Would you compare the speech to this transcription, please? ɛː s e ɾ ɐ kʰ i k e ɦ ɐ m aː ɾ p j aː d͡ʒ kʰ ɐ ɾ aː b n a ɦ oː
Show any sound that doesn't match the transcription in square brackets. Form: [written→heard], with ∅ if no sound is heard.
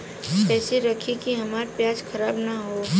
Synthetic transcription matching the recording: ɛː s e ɾ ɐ kʰ i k [e→i] ɦ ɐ m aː ɾ p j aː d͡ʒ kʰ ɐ ɾ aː b n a ɦ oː